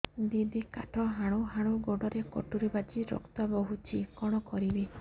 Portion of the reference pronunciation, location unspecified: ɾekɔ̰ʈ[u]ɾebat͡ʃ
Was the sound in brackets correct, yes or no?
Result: yes